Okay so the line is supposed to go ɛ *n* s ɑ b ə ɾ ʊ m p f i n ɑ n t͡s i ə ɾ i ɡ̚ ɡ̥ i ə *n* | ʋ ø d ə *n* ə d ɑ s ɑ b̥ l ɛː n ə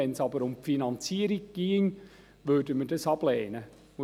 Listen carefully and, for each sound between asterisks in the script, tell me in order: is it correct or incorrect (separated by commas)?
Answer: correct, incorrect, incorrect